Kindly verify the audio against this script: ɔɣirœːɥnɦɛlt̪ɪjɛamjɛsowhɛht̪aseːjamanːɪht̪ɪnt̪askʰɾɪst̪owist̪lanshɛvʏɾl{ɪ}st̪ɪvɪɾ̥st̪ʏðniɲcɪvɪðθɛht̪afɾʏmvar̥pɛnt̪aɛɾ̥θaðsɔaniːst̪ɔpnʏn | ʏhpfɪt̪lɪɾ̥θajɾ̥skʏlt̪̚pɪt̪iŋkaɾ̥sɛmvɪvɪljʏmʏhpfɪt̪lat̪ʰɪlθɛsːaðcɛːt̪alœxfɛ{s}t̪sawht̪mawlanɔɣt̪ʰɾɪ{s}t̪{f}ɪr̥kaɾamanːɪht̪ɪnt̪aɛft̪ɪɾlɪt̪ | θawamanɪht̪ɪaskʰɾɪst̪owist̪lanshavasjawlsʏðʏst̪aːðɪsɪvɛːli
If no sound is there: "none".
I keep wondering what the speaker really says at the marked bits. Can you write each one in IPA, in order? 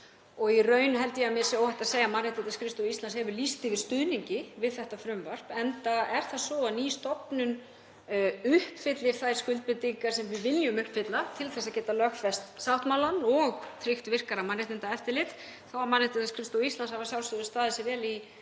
i, s, x, v

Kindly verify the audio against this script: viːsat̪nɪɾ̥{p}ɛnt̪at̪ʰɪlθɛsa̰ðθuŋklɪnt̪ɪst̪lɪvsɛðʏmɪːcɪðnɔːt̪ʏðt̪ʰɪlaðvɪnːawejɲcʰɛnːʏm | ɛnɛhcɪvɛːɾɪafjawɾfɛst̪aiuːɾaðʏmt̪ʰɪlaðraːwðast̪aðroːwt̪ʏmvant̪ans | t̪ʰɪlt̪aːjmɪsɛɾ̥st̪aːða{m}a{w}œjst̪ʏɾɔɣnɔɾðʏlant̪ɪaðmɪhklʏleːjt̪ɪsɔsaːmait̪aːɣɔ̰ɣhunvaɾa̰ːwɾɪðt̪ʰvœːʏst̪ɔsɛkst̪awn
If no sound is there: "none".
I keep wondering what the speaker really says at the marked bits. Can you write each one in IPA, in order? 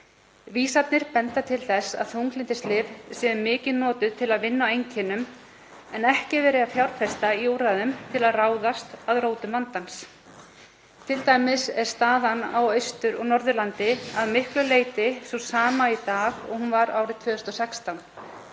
p, n, w

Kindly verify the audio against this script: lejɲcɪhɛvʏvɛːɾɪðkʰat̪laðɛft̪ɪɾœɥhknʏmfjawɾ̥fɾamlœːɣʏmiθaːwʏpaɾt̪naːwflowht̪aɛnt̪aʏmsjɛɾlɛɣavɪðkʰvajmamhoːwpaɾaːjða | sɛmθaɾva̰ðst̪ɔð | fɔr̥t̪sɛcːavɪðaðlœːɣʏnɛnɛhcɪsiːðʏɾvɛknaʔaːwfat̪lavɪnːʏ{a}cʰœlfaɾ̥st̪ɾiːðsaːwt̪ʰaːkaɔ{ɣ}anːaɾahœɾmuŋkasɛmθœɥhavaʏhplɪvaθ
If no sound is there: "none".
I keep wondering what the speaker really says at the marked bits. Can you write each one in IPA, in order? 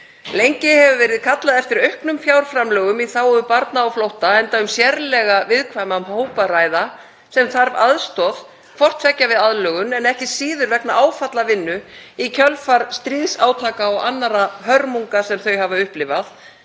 i, ɣ

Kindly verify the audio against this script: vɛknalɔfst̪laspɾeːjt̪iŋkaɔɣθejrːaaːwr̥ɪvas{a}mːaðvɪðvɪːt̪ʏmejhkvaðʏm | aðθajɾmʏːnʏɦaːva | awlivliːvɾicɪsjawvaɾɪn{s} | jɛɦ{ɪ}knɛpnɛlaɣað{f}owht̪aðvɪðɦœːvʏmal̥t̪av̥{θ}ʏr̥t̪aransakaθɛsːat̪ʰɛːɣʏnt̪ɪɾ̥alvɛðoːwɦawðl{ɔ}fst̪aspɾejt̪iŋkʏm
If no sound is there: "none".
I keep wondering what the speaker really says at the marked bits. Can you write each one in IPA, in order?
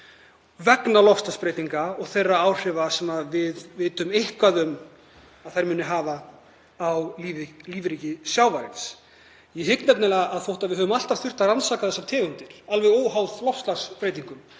ɛ, s, ɪ, θ, θ, ɔ

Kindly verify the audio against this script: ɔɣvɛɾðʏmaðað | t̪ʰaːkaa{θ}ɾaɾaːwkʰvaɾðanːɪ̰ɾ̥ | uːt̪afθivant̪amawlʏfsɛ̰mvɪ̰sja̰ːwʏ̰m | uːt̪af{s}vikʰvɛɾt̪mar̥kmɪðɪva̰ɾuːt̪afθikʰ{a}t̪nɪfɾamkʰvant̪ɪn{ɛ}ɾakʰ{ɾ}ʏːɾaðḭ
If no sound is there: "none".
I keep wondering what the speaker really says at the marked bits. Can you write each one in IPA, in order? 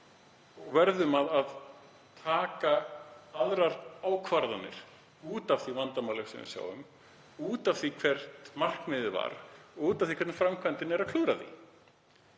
ð, θ, ɛ, ɛ, l

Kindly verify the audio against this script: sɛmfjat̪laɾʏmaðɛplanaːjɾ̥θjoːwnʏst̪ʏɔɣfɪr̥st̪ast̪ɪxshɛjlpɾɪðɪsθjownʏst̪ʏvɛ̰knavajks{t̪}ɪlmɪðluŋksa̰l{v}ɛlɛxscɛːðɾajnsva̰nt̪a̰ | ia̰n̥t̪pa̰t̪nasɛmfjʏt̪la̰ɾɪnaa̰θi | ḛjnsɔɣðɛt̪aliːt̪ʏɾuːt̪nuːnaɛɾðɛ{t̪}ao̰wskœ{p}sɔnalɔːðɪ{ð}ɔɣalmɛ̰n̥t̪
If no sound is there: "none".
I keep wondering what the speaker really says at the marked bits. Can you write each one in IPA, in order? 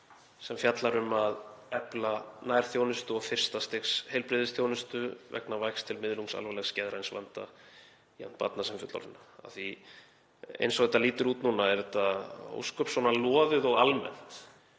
t̪ʰ, v, t̪, p, ð

